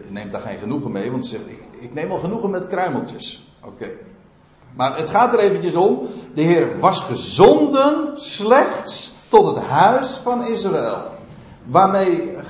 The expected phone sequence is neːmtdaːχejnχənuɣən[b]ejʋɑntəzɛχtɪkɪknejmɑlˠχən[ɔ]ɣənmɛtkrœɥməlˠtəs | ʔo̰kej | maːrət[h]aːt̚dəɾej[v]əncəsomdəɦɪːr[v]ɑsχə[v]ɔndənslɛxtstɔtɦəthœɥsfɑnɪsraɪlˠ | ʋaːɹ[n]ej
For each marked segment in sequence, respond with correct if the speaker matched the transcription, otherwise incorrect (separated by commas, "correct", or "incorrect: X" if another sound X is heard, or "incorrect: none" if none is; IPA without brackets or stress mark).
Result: incorrect: m, incorrect: u, incorrect: χ, correct, incorrect: ʋ, incorrect: z, incorrect: m